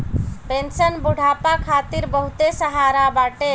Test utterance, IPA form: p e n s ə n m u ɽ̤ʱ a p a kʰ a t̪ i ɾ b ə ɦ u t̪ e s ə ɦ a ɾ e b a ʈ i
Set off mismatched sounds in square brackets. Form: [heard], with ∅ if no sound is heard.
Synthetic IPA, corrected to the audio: p e n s ə n [b] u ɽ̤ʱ a p a kʰ a t̪ i ɾ b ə ɦ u t̪ e s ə ɦ a ɾ [a] b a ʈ [e]

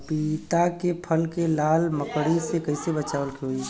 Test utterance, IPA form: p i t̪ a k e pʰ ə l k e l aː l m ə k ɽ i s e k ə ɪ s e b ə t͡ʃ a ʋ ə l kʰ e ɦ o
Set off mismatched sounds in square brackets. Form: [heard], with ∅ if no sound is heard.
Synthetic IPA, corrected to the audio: p i t̪ a k e pʰ ə l k e l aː l m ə k ɽ i s e k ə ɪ s e b ə t͡ʃ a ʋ ə l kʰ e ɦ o

